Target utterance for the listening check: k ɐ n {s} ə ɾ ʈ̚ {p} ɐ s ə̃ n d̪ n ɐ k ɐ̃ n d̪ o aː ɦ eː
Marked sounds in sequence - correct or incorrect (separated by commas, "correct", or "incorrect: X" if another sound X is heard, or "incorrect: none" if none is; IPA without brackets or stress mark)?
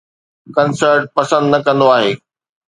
correct, correct